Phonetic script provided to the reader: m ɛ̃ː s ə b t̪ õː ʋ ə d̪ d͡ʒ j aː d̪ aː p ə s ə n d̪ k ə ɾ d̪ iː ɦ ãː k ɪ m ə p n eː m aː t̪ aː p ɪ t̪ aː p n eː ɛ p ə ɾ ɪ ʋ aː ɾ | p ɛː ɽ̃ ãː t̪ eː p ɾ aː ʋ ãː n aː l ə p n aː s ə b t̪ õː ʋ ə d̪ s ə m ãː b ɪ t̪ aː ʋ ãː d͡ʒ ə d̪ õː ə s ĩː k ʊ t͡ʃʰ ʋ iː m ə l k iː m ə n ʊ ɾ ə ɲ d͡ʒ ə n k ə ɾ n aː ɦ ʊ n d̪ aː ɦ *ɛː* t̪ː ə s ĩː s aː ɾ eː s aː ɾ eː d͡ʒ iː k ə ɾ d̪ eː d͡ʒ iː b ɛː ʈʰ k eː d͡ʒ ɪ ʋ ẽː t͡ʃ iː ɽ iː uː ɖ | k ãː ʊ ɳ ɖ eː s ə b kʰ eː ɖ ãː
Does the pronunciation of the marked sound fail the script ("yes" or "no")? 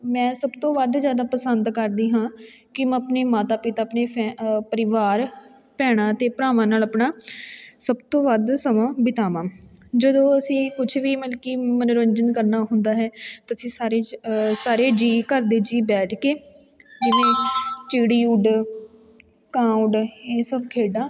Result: no